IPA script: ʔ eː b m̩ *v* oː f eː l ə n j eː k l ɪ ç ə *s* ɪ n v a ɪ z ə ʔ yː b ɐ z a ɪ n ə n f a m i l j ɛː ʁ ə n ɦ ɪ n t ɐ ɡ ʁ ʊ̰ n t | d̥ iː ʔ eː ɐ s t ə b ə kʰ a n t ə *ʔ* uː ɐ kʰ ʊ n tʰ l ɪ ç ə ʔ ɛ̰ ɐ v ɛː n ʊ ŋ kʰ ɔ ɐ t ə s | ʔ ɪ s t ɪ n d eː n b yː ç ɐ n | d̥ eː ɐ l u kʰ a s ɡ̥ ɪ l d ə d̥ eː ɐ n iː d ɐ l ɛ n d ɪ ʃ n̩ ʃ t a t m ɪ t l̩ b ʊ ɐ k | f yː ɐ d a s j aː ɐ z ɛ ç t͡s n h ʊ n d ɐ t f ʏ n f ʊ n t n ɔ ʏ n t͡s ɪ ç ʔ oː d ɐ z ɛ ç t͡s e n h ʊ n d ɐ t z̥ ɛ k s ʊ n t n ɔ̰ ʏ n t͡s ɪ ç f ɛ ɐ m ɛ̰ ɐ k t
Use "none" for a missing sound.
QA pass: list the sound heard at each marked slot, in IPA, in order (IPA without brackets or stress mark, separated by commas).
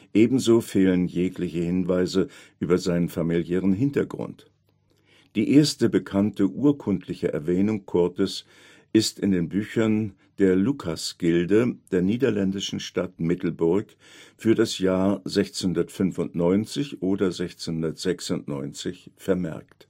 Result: z, h, ʔ